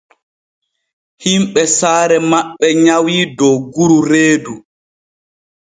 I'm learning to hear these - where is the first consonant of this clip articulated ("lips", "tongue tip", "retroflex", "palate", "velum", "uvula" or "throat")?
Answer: throat